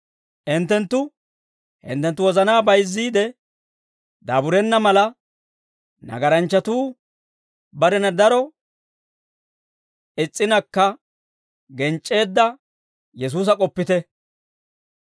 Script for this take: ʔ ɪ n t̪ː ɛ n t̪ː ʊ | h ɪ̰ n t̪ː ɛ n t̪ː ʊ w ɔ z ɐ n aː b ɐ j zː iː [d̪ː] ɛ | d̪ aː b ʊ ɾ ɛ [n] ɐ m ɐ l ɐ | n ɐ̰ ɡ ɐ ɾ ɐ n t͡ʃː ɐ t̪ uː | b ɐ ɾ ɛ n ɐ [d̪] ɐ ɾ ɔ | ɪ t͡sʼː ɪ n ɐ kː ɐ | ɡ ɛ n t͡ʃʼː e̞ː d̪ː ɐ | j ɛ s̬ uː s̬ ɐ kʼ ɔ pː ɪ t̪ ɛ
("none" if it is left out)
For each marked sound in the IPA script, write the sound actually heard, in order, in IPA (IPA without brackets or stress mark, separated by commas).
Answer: d̪, nː, d̪